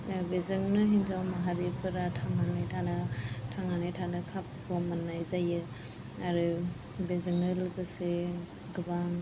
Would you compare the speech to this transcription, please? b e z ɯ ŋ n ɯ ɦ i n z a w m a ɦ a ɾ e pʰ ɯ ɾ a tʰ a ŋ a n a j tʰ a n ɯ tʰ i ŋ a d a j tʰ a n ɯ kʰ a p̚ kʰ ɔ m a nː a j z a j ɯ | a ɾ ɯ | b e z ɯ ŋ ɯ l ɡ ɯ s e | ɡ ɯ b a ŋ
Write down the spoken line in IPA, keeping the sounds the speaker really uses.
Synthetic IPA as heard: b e z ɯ ŋ n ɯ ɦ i n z a w m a ɦ a ɾ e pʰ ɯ ɾ a tʰ a ŋ a n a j tʰ a n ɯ tʰ a ŋ a n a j tʰ a n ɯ kʰ a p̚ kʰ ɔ m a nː a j z a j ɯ | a ɾ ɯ | b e z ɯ ŋ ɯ l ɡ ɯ s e | ɡ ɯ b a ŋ